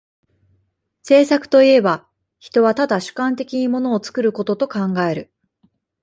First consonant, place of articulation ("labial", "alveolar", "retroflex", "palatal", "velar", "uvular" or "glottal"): alveolar